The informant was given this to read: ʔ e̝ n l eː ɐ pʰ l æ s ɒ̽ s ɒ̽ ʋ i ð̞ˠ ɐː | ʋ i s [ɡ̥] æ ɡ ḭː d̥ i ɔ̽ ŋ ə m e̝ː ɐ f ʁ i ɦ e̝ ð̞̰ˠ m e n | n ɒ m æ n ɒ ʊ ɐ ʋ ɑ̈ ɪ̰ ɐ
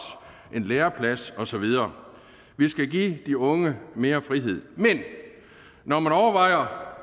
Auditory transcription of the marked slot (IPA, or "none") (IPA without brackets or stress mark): ɡ̥